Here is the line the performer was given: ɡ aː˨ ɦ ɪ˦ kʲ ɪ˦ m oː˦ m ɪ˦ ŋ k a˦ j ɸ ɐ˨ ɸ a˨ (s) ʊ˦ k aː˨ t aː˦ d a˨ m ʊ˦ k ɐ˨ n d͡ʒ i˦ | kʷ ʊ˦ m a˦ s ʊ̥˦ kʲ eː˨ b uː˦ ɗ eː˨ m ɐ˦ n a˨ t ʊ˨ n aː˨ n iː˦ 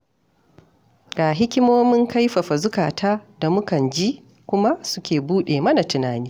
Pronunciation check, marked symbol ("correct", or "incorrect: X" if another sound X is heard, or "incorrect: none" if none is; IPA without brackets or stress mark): incorrect: z